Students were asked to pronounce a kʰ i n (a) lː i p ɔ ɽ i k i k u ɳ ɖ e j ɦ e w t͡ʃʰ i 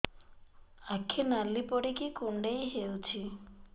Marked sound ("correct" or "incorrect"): correct